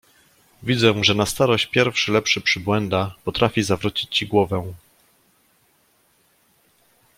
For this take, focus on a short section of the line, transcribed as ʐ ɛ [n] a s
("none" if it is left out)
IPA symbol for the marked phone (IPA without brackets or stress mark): n